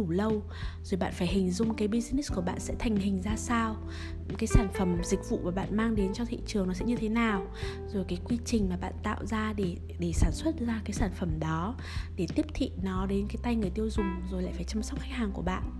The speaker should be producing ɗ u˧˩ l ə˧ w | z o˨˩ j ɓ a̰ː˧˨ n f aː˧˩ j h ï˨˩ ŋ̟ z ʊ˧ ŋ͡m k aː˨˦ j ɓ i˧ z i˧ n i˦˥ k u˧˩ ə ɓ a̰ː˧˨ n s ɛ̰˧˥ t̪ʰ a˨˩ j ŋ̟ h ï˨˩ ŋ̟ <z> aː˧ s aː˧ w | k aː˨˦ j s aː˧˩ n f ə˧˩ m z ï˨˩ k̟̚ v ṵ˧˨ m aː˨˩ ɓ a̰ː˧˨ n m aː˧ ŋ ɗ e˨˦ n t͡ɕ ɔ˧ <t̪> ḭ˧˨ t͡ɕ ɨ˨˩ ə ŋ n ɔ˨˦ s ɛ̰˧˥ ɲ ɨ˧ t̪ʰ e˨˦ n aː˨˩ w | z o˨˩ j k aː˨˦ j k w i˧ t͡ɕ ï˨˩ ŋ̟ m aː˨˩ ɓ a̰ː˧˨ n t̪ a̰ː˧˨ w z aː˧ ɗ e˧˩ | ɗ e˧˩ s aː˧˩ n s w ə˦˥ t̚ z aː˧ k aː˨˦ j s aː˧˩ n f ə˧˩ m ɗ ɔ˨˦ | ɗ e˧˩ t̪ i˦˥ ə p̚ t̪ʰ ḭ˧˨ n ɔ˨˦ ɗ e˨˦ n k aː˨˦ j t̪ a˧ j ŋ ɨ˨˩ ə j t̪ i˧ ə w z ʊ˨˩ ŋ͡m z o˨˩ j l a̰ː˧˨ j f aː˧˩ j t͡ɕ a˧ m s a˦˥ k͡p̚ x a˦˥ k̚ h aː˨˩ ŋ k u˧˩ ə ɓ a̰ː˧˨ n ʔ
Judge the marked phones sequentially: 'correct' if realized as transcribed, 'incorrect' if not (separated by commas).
correct, incorrect